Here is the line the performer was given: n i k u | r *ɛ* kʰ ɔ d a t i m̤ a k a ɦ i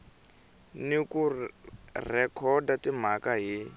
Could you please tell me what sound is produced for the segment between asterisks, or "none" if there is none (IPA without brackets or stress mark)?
ɛ